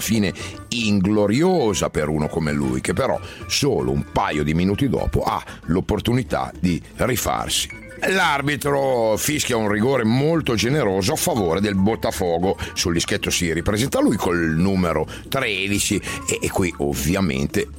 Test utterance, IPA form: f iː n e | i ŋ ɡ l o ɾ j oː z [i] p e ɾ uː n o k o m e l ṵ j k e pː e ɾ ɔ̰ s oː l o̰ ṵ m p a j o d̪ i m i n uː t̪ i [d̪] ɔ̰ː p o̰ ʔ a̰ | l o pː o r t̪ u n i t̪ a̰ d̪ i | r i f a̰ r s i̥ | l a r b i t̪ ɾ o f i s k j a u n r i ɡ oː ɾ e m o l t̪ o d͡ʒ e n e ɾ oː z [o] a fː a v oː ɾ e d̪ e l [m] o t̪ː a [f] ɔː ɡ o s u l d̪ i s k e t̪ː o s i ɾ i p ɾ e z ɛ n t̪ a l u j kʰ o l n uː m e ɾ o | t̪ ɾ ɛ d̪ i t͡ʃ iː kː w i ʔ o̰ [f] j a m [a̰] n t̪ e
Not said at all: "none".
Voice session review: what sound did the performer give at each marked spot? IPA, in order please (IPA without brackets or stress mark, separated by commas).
a, d̪, o, b, f, v, ḛ